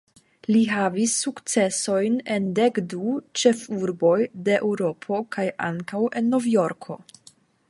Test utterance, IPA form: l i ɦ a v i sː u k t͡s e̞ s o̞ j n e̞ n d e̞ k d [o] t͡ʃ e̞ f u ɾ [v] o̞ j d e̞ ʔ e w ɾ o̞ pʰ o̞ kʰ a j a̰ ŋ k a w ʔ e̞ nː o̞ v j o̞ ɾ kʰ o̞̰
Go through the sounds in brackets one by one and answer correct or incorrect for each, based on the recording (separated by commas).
incorrect, incorrect